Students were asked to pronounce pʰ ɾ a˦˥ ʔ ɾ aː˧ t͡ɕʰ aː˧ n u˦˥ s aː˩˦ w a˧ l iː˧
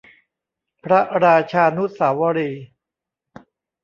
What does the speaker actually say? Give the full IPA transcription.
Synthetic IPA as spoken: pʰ ɾ a˦˥ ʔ ɾ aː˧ t͡ɕʰ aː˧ n u˦˥ s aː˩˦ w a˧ ɾ iː˧